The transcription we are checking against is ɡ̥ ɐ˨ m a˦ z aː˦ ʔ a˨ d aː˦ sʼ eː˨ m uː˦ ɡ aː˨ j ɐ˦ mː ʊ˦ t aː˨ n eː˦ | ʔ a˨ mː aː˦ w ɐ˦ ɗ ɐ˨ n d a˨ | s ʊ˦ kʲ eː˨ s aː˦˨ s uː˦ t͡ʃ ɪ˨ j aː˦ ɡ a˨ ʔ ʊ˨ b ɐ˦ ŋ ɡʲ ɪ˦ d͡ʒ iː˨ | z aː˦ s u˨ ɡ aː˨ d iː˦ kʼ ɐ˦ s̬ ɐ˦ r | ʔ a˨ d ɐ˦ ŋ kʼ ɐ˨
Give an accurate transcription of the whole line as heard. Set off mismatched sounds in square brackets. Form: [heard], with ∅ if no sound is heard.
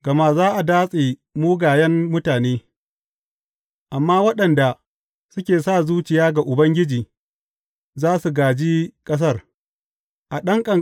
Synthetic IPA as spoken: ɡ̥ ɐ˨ m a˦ z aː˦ ʔ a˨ d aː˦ sʼ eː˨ m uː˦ ɡ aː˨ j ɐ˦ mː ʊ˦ t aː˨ n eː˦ | ʔ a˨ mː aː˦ w ɐ˦ ɗ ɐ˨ n d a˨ | s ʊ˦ kʲ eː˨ s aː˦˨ [z] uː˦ t͡ʃ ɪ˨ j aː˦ ɡ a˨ ʔ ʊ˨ b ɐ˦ ŋ ɡʲ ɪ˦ d͡ʒ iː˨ | z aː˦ s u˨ ɡ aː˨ [d͡ʒ] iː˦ kʼ ɐ˦ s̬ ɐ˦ r | ʔ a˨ [ɗ] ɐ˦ ŋ kʼ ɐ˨